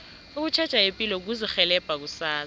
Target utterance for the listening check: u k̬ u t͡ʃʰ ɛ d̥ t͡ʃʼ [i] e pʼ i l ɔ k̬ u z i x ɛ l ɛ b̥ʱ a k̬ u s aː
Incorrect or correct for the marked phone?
incorrect: a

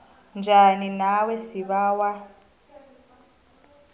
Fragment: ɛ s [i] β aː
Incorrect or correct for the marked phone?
correct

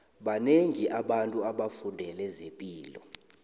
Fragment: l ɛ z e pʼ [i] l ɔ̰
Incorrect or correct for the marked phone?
incorrect: iː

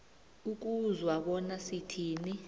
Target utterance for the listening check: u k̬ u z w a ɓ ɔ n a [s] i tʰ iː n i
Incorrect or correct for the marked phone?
correct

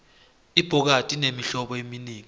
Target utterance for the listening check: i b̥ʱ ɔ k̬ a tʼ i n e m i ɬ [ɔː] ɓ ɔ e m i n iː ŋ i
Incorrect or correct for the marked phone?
incorrect: ɔ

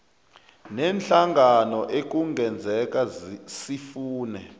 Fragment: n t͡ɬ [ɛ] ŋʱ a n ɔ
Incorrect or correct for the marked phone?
incorrect: a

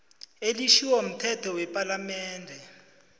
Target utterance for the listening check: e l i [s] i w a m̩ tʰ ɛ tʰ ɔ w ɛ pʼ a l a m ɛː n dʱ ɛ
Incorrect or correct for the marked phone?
incorrect: ʃ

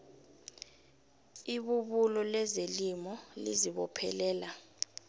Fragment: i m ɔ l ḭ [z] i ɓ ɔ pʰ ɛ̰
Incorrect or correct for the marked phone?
correct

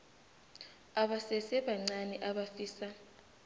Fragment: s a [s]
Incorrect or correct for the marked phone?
incorrect: none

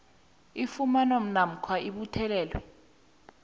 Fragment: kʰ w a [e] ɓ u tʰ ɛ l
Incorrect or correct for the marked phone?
incorrect: i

